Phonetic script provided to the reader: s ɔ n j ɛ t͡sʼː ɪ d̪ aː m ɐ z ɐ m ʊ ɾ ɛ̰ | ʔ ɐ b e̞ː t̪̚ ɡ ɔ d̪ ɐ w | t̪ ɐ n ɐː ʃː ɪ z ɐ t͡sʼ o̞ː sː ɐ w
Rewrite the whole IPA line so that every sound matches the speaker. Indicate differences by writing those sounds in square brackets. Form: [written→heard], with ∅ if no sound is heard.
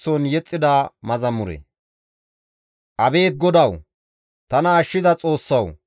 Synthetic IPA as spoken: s ɔ n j ɛ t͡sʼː ɪ d̪ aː m ɐ z ɐ m ʊ ɾ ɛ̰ | ʔ ɐ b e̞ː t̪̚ ɡ ɔ d̪ ɐ w | t̪ ɐ n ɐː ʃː ɪ z ɐ t͡sʼ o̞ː sː ɐ w